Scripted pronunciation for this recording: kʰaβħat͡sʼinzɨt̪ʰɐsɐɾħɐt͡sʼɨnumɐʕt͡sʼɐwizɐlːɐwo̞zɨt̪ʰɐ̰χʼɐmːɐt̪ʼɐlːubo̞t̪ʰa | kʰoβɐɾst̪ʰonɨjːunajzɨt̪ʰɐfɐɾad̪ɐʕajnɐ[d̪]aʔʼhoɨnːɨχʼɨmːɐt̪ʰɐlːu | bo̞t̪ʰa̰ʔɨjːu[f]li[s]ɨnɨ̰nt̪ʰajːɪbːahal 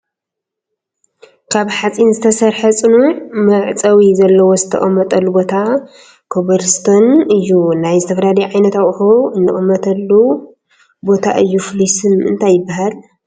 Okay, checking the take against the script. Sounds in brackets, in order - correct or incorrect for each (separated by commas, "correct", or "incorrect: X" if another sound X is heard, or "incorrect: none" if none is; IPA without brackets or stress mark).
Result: incorrect: t̪, correct, correct